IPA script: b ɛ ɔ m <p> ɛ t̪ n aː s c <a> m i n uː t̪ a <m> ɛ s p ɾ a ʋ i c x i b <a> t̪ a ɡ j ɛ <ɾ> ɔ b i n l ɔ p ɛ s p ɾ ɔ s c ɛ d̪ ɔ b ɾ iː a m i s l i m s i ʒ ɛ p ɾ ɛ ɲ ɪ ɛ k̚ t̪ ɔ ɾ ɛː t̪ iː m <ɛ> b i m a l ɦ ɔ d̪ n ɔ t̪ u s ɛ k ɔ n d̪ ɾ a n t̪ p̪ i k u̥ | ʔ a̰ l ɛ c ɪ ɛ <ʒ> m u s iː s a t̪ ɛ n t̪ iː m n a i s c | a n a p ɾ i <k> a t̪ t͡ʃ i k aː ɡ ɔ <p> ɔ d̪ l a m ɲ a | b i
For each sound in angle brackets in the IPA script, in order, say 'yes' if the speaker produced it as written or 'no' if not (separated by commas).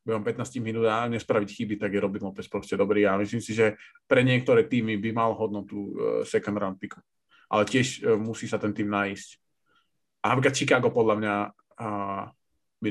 yes, no, no, no, yes, no, no, yes, yes